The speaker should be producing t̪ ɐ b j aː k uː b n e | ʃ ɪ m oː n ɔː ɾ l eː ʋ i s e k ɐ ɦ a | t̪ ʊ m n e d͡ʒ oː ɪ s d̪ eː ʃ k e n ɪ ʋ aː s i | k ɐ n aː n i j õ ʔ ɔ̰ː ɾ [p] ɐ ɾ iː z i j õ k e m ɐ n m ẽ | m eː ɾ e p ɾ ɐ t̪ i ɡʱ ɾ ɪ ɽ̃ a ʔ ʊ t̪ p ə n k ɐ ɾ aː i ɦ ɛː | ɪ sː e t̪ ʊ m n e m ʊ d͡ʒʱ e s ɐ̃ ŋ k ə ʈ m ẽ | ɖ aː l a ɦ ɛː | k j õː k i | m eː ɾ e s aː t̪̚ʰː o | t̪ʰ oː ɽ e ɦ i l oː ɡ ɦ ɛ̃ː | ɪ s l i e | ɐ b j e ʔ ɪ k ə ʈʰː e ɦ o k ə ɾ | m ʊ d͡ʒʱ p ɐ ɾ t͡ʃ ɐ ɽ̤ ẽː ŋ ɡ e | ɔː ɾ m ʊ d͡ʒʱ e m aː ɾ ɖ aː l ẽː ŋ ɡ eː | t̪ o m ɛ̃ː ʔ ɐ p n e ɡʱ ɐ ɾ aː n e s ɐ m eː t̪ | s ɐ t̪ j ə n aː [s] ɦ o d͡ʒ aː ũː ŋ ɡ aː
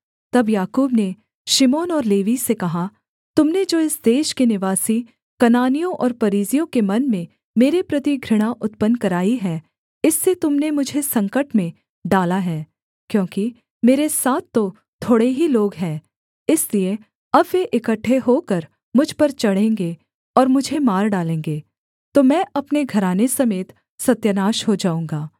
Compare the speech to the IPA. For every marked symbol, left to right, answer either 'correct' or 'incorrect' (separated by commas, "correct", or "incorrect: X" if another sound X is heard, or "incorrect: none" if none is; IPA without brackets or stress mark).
correct, incorrect: ʃ